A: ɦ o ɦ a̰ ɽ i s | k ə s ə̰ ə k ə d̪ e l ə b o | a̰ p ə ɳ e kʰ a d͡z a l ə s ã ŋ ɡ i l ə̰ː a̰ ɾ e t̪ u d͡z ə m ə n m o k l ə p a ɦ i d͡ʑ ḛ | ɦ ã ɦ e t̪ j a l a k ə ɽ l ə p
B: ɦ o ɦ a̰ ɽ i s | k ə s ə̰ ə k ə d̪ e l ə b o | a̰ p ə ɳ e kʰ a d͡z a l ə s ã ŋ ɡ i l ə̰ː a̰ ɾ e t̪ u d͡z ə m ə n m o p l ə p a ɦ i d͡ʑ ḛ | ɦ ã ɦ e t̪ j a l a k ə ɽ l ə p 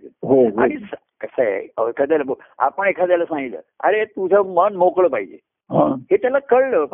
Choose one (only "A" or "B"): A